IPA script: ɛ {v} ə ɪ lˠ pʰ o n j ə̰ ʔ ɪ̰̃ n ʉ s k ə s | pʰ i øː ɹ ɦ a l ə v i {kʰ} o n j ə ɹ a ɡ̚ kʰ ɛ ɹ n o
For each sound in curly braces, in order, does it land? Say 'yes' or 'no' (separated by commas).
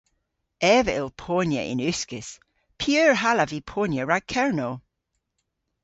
yes, no